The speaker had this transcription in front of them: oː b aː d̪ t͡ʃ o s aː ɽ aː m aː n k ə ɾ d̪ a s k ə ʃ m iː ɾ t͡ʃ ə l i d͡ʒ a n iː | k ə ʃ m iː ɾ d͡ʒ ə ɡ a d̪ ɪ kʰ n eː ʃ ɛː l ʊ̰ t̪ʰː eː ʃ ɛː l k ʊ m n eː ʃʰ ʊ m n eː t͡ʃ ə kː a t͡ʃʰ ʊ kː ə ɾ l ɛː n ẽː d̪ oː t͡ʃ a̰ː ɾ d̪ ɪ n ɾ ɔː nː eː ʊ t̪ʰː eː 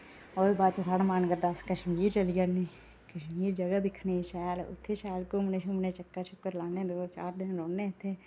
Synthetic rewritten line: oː b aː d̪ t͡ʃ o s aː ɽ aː m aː n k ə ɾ d̪ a s k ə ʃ m iː ɾ t͡ʃ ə l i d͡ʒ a n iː | k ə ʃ m iː ɾ d͡ʒ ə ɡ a d̪ ɪ kʰ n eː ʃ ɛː l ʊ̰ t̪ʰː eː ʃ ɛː l k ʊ m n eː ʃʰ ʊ m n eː t͡ʃ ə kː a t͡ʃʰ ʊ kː ə ɾ l aː n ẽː d̪ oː t͡ʃ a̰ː ɾ d̪ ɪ n ɾ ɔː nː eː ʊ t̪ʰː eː

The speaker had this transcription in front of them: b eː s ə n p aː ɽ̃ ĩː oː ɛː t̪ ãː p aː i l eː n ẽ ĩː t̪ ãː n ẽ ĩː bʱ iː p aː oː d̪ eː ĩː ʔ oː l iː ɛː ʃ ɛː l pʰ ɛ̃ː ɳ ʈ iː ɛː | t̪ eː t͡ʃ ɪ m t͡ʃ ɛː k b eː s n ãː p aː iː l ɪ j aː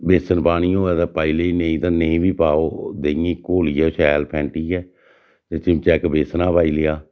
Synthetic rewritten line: b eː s ə n p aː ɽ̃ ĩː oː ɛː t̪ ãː p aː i l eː n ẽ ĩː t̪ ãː n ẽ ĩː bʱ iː p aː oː d̪ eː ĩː k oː l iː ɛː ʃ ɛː l pʰ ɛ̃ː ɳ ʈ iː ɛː | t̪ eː t͡ʃ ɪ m t͡ʃ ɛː k b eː s n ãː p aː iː l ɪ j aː

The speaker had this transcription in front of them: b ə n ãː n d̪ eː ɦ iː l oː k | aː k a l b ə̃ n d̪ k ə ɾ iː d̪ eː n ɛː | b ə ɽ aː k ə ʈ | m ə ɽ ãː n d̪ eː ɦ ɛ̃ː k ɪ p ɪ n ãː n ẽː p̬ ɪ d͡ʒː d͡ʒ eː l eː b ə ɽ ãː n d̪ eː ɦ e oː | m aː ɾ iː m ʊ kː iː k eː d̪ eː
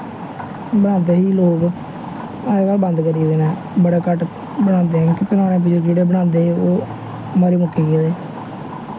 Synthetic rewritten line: b ə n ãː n d̪ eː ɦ iː l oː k | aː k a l b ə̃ n d̪ k ə ɾ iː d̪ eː n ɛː | b ə ɽ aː k ə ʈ | b ə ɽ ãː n d̪ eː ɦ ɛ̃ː k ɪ p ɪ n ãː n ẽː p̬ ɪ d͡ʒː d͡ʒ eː ɽ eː b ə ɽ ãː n d̪ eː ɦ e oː | m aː ɾ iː m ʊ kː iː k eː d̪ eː

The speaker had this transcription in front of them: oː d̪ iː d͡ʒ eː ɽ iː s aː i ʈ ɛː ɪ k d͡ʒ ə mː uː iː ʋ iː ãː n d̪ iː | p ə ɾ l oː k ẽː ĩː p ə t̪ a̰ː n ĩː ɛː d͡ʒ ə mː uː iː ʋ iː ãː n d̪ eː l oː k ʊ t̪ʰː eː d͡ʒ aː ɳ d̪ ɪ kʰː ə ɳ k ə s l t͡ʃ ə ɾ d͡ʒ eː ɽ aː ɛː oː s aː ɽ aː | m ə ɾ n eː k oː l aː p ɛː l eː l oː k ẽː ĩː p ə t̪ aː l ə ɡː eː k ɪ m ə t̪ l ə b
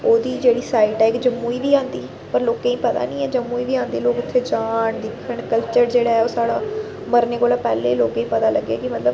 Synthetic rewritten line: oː d̪ iː d͡ʒ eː ɽ iː s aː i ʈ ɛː ɪ k d͡ʒ ə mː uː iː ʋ iː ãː n d̪ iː | p ə ɾ l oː k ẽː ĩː p ə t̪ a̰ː n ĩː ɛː d͡ʒ ə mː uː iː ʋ iː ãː n d̪ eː l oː k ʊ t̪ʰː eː d͡ʒ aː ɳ d̪ ɪ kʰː ə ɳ k ə l t͡ʃ ə ɾ d͡ʒ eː ɽ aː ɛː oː s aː ɽ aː | m ə ɾ n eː k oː l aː p ɛː l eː l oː k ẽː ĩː p ə t̪ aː l ə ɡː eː k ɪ m ə t̪ l ə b

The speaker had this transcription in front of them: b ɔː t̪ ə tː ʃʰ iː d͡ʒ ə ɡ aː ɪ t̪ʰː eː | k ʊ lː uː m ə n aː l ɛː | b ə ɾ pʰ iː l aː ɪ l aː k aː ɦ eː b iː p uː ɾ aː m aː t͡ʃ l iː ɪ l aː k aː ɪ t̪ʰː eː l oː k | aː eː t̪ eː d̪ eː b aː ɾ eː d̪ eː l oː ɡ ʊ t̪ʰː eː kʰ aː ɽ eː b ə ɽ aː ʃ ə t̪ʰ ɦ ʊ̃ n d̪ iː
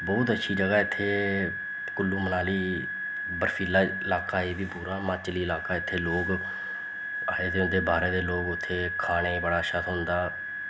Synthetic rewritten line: b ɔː t̪ ə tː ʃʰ iː d͡ʒ ə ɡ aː ɪ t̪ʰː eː | k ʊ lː uː m ə n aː l iː | b ə ɾ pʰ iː l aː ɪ l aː k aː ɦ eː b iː p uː ɾ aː m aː t͡ʃ l iː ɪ l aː k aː ɪ t̪ʰː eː l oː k | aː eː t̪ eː d̪ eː b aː ɾ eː d̪ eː l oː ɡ ʊ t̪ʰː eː kʰ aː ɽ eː b ə ɽ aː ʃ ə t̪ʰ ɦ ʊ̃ n d̪ aː

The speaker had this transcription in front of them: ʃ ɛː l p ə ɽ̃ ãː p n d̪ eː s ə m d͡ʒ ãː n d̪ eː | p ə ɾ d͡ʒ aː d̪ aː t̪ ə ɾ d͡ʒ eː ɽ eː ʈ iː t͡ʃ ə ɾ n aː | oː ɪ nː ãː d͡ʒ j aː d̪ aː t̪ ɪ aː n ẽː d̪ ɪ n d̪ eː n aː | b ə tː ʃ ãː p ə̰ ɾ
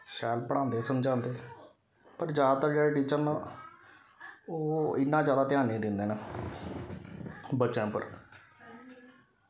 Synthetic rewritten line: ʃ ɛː l p ə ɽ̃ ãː n d̪ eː s ə m d͡ʒ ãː n d̪ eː | p ə ɾ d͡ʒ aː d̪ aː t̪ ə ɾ d͡ʒ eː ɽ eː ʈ iː t͡ʃ ə ɾ n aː | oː ɪ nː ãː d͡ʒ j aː d̪ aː t̪ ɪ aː n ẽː d̪ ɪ n d̪ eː n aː | b ə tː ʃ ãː p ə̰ ɾ

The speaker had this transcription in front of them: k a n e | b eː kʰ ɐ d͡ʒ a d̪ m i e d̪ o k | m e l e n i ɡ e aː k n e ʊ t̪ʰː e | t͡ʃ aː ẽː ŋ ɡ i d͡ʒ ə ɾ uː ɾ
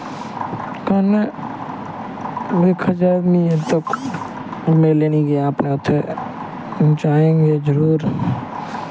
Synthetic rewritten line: k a n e | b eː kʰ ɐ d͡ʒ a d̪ m i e t̪ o k | m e l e n i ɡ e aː p n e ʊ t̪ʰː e | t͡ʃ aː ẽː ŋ ɡ e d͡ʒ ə ɾ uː ɾ

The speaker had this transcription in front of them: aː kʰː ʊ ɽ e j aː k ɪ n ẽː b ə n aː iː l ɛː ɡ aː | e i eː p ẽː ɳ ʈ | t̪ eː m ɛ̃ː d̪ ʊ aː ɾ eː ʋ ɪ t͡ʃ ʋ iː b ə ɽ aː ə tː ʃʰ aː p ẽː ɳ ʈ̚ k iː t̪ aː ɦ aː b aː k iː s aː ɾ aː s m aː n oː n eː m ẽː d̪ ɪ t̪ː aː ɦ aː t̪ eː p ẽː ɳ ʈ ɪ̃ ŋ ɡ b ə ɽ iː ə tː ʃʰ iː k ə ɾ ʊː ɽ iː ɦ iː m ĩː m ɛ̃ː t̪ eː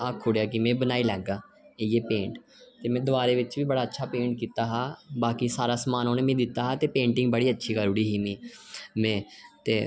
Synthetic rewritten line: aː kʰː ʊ ɽ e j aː k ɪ m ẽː b ə n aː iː l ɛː ɡ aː | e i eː p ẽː ɳ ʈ | t̪ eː m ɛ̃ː d̪ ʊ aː ɾ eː ʋ ɪ t͡ʃ ʋ iː b ə ɽ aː ə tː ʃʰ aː p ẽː ɳ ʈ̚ k iː t̪ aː ɦ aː b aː k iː s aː ɾ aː s m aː n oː n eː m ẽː d̪ ɪ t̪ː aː ɦ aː t̪ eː p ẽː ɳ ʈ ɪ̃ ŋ ɡ b ə ɽ iː ə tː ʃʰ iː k ə ɾ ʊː ɽ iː ɦ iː m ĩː m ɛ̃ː t̪ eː

